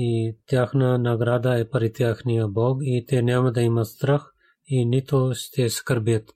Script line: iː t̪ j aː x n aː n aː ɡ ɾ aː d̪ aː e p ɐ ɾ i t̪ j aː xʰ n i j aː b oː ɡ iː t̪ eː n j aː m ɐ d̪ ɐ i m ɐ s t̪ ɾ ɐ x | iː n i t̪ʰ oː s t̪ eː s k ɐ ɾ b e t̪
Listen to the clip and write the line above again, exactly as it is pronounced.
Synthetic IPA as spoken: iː t̪ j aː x n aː n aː ɡ ɾ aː d̪ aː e p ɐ ɾ i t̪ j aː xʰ n i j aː b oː ɡ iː t̪ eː n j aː m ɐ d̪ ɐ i m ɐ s t̪ ɾ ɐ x | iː n i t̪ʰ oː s t̪ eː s k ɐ ɾ b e t̪